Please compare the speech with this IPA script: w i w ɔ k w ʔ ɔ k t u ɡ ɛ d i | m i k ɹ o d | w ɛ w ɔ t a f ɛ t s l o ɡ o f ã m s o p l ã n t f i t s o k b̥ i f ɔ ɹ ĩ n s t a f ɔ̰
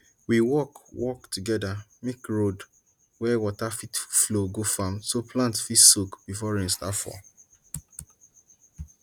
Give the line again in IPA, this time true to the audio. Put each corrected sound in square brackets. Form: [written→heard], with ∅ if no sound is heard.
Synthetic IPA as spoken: w i w ɔ k w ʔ ɔ k t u ɡ ɛ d [i→a] | m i k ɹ o d | w ɛ w ɔ t a f [ɛ→i] t [s→f] l o ɡ o f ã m s o p l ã n t f i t s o k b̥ i f ɔ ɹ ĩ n s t a f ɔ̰